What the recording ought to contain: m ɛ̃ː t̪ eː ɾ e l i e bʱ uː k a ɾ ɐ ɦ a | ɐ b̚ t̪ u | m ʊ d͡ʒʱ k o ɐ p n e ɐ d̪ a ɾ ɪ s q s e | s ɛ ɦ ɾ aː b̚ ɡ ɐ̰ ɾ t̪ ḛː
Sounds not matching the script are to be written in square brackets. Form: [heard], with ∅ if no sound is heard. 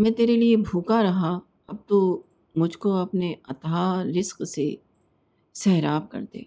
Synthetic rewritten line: m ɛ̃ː t̪ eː ɾ e l i e bʱ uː k a ɾ ɐ ɦ a | ɐ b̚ t̪ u | m ʊ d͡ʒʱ k o ɐ p n e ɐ [t̪] a ɾ ɪ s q s e | s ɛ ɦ ɾ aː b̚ [k] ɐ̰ ɾ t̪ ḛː